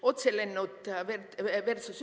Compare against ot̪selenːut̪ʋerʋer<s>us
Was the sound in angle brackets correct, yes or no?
yes